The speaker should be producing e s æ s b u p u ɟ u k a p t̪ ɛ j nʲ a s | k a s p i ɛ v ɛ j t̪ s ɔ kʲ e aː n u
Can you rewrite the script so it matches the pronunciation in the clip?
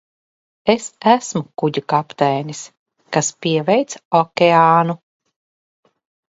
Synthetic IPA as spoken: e s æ s m u k u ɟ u k a p t̪ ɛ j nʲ i s | k a s p i ɛ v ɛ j t̪ s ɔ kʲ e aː n u